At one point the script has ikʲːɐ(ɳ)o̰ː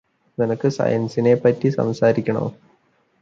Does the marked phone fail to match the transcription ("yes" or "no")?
no